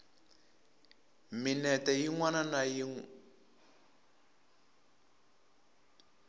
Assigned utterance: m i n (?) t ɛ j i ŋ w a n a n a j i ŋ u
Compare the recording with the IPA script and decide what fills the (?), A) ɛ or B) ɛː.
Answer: A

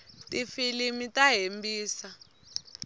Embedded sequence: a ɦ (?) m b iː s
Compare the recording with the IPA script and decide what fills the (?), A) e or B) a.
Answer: A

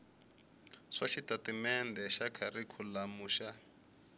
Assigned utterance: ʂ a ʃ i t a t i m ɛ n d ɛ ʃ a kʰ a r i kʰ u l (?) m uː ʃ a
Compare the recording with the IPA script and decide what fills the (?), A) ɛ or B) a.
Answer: B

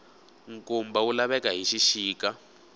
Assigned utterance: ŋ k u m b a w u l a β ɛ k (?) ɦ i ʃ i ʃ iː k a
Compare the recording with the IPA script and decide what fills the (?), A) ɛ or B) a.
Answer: B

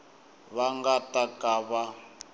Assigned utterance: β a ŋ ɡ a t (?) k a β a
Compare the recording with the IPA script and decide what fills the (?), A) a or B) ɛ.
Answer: A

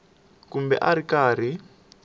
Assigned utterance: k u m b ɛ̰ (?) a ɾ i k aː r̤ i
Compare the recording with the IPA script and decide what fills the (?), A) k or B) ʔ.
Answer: B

